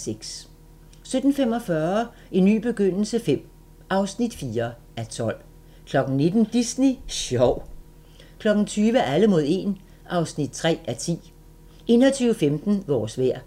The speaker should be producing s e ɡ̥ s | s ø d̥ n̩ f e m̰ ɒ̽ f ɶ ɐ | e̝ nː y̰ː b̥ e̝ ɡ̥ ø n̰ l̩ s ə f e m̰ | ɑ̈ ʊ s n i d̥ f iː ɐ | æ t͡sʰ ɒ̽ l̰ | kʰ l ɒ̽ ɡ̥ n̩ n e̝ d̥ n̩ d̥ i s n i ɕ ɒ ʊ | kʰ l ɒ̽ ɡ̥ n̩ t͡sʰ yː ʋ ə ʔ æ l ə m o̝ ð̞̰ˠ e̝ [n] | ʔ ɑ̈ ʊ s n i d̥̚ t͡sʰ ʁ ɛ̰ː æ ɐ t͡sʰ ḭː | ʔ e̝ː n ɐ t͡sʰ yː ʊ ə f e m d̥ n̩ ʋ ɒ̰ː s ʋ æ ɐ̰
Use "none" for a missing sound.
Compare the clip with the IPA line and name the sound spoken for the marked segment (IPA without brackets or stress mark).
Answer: n